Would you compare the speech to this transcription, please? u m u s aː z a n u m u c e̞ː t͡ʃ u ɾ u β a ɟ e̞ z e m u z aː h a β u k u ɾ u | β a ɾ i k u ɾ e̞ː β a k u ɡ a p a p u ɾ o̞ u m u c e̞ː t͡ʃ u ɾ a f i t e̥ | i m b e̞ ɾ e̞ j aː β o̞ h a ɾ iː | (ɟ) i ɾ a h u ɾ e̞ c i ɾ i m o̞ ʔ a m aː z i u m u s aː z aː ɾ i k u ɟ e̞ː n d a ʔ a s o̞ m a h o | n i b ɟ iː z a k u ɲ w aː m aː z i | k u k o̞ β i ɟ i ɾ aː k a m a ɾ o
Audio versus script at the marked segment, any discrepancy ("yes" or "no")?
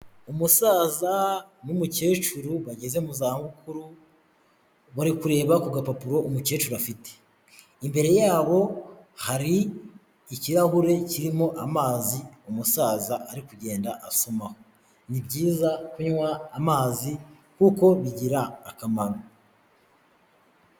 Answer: yes